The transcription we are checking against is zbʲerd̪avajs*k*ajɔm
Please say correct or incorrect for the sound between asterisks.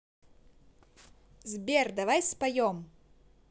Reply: incorrect